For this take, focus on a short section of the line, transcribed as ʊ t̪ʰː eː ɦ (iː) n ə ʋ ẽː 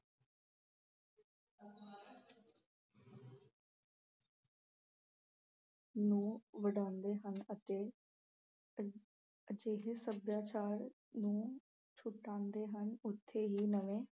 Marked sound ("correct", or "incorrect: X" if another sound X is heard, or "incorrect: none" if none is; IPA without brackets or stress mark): correct